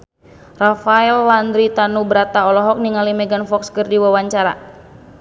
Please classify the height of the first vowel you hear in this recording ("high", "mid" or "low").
low